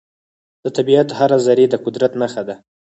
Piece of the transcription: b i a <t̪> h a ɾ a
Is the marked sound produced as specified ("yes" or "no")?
yes